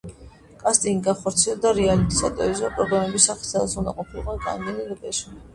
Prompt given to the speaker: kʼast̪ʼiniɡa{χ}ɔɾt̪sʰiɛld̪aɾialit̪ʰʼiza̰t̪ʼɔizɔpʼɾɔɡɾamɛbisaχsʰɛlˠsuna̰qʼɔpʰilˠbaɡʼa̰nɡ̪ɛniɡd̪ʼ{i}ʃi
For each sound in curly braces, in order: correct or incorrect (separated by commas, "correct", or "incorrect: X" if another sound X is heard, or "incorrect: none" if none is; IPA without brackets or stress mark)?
correct, incorrect: ɛ